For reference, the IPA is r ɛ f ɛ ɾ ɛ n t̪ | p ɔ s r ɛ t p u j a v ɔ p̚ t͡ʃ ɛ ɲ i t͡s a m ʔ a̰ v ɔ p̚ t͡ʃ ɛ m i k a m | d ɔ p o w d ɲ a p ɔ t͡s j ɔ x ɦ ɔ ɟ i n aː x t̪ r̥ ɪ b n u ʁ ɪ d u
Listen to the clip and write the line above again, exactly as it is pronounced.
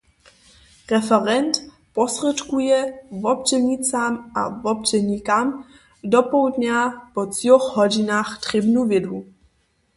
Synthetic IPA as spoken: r ɛ f ɛ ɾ ɛ n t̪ | p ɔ s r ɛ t k u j ɛ v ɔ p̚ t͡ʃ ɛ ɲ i t͡s a m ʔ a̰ v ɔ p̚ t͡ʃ ɛ ɲ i k a m | d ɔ p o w d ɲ a p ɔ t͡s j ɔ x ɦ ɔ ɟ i n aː x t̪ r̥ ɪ b n u v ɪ d u